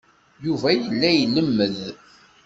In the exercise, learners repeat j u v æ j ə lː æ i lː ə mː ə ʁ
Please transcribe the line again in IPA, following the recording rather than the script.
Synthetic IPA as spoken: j u v æ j ə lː æ j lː ə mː ə ð